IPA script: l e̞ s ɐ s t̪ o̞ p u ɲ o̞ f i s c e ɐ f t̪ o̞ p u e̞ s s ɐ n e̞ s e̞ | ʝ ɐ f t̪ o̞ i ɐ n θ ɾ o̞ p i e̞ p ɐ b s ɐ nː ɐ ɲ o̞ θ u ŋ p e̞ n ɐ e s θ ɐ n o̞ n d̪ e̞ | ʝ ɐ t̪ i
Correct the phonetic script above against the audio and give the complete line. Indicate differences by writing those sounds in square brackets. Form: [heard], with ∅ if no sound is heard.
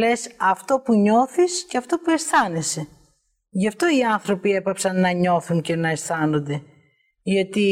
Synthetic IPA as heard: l e̞ s ɐ [f] t̪ o̞ p u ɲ o̞ [θ] i s c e ɐ f t̪ o̞ p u e̞ s [θ] ɐ n e̞ s e̞ | ʝ ɐ f t̪ o̞ i ɐ n θ ɾ o̞ p i e̞ p ɐ [p] s ɐ nː ɐ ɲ o̞ θ u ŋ [c] e̞ n ɐ e s θ ɐ n o̞ n d̪ e̞ | ʝ ɐ t̪ i